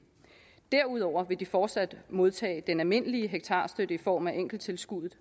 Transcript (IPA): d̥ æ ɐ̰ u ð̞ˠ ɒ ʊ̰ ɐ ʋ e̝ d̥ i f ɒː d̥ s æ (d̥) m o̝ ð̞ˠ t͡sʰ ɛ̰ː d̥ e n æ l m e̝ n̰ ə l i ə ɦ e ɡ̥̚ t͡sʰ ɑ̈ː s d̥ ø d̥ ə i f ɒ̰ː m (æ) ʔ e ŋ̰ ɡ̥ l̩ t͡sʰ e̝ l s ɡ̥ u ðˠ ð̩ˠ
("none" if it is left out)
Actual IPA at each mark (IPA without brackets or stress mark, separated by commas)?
d̥, æ